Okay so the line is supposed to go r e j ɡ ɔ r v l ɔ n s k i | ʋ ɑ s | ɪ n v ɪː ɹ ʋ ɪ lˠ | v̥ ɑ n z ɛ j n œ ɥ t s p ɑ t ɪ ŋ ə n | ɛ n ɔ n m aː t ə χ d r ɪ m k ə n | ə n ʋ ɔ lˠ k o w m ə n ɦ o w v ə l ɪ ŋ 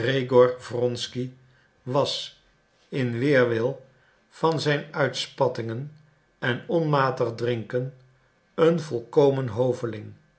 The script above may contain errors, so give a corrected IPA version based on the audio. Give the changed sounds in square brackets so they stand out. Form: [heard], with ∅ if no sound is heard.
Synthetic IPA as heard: r e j ɡ ɔ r v [r] ɔ n s k i | ʋ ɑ s | ɪ n [ʋ] ɪː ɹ ʋ ɪ lˠ | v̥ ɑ n z ɛ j n œ ɥ t s p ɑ t ɪ ŋ ə n | ɛ n ɔ n m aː t ə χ d r ɪ [ŋ] k ə n | ə n [v] ɔ lˠ k o w m ə n ɦ o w v ə l ɪ ŋ